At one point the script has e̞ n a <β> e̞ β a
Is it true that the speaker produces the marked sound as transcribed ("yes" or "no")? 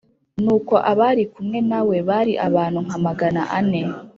no